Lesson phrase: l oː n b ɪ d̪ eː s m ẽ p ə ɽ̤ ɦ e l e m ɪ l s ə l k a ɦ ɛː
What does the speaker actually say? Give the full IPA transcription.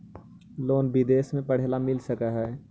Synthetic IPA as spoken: l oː n b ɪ d̪ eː s m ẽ p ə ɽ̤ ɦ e l a m ɪ l s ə k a ɦ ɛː